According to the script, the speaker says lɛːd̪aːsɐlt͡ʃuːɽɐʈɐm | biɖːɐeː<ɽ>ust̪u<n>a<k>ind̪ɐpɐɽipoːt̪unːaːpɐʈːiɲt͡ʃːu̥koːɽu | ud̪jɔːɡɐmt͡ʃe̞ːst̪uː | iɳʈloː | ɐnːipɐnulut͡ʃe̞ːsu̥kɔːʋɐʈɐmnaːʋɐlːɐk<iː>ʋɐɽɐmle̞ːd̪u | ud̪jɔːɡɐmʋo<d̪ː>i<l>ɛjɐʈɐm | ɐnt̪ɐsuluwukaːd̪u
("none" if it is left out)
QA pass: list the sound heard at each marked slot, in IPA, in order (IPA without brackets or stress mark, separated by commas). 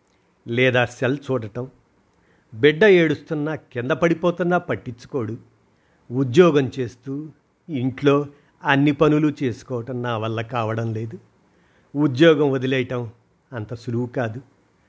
ɽ, nː, k, aː, d̪, l